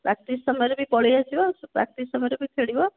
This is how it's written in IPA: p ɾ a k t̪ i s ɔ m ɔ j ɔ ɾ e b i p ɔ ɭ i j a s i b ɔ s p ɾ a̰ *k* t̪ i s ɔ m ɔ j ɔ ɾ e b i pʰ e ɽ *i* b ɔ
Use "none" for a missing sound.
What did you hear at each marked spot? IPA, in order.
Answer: k, i

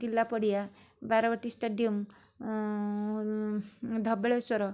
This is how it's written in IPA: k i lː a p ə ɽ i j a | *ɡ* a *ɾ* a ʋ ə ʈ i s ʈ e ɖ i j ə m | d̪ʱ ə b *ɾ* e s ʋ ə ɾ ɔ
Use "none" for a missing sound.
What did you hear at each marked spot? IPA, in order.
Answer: b, ɾ, ɭ

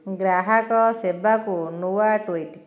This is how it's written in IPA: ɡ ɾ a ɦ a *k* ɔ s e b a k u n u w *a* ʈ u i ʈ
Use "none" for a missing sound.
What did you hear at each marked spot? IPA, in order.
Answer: k, a

